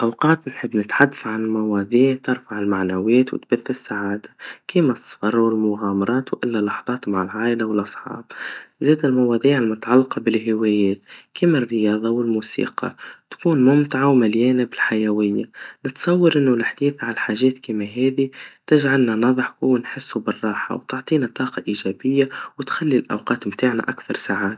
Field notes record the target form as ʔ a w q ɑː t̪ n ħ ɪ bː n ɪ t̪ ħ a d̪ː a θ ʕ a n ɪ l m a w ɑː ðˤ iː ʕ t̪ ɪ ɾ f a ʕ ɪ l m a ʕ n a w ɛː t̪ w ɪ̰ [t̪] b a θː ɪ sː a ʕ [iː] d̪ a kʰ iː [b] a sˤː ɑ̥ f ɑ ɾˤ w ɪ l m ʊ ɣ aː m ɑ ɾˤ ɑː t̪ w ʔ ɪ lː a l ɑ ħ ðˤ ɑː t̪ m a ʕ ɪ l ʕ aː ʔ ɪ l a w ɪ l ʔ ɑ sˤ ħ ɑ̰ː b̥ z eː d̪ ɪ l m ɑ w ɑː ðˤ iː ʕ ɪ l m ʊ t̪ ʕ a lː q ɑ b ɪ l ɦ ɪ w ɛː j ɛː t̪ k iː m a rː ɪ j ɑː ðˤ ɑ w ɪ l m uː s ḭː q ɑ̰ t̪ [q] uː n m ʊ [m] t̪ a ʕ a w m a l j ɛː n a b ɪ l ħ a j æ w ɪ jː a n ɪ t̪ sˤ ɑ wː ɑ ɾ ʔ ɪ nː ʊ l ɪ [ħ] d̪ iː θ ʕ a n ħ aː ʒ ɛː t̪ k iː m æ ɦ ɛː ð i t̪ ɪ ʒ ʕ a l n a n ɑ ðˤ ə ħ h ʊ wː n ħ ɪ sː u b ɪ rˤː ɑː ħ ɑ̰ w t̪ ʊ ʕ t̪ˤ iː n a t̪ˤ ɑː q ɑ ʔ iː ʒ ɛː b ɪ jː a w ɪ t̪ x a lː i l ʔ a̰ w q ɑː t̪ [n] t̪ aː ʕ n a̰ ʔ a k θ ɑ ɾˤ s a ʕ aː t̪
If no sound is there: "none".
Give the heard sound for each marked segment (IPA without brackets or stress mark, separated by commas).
t̪, aː, m, k, m, ħ, m